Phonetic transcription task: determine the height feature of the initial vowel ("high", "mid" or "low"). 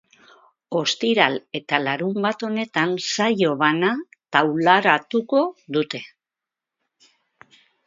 mid